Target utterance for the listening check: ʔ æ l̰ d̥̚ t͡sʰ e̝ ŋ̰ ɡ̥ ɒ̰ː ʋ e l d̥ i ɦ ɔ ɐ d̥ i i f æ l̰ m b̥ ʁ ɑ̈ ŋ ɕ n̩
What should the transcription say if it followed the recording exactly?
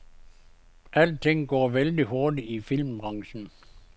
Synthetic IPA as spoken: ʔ æ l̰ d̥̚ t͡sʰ e̝ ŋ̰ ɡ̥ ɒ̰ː ʋ e l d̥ i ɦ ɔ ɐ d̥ i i f i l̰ m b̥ ʁ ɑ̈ ŋ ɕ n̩